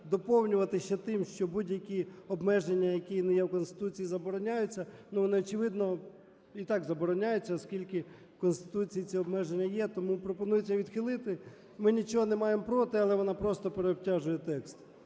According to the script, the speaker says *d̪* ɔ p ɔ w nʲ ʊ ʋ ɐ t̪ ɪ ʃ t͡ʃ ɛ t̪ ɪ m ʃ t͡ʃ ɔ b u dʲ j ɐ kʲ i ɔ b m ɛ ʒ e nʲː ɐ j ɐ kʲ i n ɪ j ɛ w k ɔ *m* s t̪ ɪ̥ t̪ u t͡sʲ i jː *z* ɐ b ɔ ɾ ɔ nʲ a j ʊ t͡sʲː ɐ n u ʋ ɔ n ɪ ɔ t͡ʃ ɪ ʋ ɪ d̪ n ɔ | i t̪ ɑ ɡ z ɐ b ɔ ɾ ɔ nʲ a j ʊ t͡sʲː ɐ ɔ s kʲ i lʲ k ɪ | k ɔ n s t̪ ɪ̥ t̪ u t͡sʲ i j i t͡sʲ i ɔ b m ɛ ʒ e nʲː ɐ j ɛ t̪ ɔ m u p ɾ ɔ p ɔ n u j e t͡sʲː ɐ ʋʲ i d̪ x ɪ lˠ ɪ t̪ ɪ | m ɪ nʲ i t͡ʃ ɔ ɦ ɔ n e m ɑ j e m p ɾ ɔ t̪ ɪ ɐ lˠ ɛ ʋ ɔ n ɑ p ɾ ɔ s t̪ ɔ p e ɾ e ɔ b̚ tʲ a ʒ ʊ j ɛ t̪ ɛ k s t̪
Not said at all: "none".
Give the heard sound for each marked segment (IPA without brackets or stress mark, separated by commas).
d̪, n, z